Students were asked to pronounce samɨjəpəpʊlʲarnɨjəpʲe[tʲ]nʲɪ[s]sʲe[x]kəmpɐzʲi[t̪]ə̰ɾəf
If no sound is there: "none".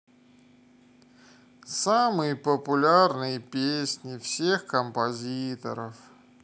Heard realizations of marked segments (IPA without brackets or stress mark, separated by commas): sʲ, f, x, t̪